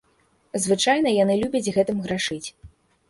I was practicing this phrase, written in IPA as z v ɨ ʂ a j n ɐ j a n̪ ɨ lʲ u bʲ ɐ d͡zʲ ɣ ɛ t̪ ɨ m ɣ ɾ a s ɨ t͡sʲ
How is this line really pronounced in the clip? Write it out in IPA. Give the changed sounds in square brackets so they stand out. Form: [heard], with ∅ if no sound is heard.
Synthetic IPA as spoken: z v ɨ [t͡ʂ] a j n ɐ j a n̪ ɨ lʲ u bʲ ɐ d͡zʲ ɣ ɛ t̪ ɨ m ɣ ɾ a [ʂ] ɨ t͡sʲ